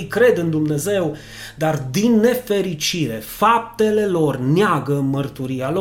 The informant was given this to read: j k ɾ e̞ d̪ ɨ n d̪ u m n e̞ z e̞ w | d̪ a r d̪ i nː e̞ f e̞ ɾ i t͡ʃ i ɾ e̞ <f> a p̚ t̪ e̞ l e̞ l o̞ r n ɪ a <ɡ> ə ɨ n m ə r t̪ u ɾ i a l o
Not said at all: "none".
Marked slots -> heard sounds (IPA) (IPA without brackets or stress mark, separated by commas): f, ɡ